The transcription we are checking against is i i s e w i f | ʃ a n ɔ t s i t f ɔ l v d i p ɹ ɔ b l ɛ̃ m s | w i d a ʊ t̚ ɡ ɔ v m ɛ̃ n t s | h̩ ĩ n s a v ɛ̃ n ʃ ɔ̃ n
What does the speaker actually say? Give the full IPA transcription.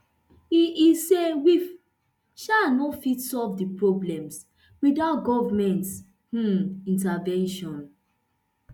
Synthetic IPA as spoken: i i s e w i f | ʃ a n ɔ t f i t s ɔ l v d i p ɹ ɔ b l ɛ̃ m s | w i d a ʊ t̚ ɡ ɔ v m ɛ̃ n t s | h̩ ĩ n t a v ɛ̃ n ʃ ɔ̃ n

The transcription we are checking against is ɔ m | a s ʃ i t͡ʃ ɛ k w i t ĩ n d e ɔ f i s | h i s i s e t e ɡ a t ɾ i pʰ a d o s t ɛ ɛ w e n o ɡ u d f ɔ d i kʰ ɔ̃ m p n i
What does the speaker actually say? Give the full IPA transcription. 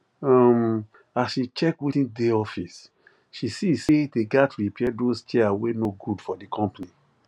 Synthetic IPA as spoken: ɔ m | a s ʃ i t͡ʃ ɛ k w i t ĩ n d e ɔ f i s | ʃ i s i s e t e ɡ a t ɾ i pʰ ɛ d o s t͡ʃ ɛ a w e n o ɡ u d f ɔ d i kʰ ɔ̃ m p n i

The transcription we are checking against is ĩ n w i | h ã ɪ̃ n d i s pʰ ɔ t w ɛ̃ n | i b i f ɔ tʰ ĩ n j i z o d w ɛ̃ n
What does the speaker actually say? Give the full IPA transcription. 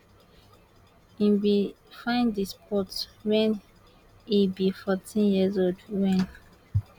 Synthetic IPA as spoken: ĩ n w i | f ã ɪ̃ n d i s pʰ ɔ t w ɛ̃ n | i b i f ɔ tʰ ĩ n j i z o d w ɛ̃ n

